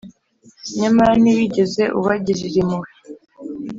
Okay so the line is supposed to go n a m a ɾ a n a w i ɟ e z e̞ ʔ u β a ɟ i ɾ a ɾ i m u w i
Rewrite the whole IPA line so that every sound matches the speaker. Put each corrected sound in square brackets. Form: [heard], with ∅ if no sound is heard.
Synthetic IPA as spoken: [ɲ] a m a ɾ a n [i] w i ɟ e z e̞ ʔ u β a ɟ i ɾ [i] ɾ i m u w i